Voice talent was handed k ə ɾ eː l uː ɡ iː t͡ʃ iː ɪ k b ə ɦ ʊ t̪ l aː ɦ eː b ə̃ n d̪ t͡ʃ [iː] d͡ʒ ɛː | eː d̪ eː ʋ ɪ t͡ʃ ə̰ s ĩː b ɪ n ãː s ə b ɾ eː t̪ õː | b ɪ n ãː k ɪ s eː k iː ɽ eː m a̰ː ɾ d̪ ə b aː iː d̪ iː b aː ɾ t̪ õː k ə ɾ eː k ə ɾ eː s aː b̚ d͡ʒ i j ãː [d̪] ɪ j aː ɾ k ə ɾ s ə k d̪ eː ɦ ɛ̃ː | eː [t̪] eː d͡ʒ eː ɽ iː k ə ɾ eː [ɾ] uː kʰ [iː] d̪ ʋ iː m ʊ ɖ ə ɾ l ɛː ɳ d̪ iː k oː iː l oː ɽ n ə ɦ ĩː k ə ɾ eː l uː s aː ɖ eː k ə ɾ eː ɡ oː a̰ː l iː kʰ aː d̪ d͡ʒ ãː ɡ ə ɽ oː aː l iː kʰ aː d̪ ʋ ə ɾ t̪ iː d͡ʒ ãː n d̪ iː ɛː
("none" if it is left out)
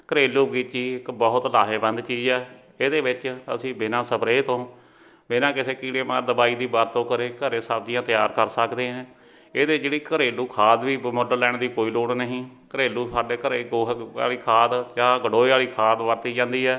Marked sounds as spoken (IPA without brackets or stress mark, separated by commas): iː, t̪, d̪, l, aː